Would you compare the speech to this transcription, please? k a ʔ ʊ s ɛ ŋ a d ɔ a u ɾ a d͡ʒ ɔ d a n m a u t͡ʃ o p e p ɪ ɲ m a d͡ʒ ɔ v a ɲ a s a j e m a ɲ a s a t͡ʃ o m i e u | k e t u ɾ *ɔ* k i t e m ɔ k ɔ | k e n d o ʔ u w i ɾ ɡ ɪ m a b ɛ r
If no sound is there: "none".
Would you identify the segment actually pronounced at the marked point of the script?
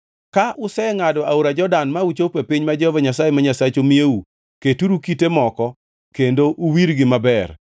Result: u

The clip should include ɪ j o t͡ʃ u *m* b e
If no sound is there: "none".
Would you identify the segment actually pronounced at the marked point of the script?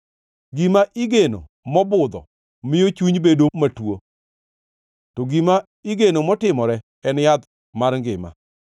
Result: ɲ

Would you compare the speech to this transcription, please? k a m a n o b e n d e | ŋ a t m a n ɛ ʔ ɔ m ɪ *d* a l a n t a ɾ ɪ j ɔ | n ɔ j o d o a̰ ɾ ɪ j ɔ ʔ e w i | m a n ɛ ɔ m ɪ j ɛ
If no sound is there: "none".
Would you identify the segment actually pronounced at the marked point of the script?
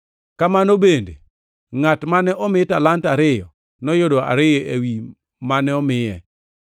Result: t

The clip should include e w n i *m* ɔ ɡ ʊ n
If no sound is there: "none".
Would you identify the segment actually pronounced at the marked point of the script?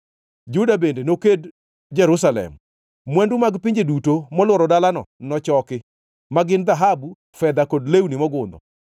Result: m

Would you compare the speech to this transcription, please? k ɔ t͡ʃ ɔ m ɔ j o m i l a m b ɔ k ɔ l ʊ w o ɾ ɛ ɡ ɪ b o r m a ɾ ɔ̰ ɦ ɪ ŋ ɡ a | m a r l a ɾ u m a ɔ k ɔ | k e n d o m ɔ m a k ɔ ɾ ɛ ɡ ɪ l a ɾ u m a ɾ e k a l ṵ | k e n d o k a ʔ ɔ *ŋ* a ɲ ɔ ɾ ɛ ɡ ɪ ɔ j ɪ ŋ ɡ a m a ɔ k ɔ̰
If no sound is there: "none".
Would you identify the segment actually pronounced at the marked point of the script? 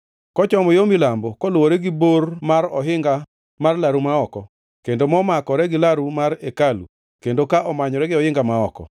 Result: m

